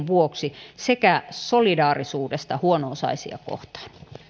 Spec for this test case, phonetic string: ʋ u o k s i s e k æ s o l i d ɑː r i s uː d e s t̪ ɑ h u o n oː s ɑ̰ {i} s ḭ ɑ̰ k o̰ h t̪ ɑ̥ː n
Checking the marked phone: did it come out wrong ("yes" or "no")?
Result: no